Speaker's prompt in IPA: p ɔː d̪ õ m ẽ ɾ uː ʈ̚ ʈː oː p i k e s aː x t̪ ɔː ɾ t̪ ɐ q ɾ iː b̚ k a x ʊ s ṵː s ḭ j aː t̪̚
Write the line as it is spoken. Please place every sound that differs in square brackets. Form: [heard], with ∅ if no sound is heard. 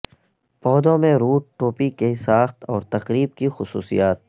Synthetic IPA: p ɔː d̪ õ m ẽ ɾ uː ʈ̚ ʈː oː p i k e s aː x t̪ ɔː ɾ t̪ ɐ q ɾ iː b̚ k [i] x ʊ s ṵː s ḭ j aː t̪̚